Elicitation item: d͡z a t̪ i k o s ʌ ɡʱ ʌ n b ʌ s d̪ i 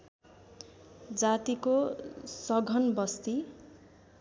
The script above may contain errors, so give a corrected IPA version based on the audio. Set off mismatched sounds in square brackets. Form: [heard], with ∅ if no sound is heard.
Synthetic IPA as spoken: d͡z a t̪ i k o s ʌ ɡʱ ʌ n b ʌ s [t̪] i